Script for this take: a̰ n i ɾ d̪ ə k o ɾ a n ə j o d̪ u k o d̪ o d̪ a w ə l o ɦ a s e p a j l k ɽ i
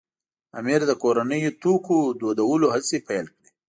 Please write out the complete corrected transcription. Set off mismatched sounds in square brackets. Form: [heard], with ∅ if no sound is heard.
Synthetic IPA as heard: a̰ [m] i ɾ d̪ ə k o ɾ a n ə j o [t̪] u k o d̪ o d̪ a w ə l o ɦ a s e p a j l k ɽ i